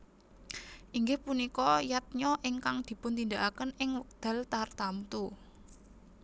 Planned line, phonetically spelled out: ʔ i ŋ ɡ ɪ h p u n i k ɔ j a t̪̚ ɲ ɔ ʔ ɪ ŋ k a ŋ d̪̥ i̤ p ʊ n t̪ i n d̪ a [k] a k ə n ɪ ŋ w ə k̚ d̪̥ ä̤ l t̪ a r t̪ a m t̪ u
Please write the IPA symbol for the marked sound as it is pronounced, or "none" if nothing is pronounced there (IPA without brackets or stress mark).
ʔ